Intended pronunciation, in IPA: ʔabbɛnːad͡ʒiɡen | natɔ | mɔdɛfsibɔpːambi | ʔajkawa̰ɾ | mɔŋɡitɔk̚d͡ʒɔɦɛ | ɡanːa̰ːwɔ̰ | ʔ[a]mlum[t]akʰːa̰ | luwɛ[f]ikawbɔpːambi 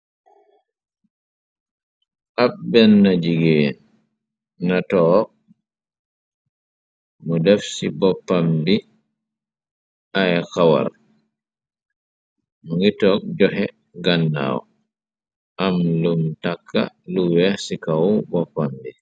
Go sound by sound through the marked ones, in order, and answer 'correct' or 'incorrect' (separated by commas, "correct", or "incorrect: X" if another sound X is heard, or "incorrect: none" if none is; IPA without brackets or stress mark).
correct, correct, incorrect: s